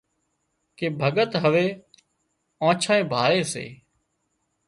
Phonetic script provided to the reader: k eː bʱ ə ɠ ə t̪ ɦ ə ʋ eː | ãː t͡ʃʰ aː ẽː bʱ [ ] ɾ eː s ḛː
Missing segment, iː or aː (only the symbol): aː